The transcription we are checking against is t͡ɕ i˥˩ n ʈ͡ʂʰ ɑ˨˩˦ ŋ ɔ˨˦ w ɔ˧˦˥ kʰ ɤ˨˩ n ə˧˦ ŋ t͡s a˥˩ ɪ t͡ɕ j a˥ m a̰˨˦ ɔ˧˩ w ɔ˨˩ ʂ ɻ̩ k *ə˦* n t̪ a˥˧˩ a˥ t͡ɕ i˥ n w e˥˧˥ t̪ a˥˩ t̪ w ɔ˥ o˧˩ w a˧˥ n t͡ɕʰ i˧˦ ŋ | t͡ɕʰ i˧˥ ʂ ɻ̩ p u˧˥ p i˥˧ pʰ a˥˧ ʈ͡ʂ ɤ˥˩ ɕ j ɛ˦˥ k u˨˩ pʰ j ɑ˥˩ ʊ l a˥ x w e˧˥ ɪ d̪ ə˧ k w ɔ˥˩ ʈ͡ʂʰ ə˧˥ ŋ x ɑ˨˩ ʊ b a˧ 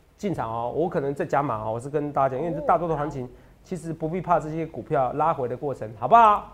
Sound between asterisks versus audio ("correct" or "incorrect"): correct